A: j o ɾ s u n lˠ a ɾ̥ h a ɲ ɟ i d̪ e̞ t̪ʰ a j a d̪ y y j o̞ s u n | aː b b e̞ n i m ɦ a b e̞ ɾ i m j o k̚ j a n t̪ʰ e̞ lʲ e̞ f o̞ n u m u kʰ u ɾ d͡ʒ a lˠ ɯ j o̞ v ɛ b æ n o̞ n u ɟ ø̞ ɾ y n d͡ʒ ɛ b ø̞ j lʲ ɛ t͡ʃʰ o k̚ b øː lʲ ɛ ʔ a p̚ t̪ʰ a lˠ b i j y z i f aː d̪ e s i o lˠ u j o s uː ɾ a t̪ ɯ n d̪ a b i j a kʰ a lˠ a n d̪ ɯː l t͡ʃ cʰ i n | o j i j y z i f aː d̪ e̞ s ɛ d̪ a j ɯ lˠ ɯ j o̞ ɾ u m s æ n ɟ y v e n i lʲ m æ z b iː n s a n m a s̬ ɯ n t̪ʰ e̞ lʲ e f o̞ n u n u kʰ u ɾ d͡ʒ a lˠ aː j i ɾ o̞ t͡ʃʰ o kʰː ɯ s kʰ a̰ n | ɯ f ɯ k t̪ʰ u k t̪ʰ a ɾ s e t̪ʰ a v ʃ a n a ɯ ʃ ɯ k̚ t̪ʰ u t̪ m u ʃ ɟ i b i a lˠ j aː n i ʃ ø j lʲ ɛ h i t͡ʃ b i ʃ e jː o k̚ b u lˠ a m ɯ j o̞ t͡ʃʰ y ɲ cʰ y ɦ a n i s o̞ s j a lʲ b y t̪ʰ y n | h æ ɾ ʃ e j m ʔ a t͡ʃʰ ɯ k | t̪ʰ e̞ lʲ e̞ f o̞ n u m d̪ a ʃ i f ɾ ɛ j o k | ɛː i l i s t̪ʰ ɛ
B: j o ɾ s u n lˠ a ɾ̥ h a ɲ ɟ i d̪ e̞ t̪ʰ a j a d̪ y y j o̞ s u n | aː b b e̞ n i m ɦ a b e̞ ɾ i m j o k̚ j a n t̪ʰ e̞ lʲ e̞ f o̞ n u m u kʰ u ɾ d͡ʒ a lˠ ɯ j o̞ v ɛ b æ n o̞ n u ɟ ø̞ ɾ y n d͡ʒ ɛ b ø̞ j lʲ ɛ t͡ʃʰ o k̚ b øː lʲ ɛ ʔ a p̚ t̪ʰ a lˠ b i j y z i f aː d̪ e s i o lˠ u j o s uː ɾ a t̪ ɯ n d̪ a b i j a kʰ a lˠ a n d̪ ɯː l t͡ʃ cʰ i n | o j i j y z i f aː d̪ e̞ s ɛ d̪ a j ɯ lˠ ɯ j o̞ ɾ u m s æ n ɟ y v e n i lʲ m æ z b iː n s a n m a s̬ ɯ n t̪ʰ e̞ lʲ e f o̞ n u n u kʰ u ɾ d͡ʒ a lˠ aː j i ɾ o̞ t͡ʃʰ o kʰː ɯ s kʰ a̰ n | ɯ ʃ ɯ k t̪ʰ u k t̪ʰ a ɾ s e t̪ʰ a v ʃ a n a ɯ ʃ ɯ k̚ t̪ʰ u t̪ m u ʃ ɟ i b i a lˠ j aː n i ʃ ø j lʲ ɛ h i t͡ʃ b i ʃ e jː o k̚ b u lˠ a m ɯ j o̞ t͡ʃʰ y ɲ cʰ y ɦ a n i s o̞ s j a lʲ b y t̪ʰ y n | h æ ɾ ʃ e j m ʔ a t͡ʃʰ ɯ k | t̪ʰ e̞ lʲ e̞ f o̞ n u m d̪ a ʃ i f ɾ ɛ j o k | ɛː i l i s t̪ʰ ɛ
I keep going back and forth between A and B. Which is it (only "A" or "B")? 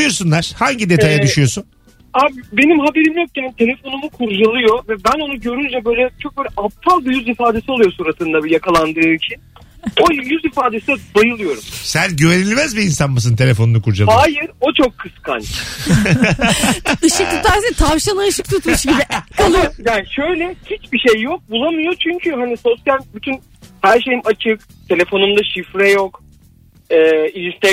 B